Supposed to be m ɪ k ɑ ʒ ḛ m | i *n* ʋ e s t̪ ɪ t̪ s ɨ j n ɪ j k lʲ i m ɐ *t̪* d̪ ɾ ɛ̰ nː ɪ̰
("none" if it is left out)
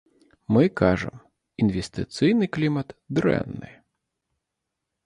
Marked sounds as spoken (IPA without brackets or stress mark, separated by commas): n, t̪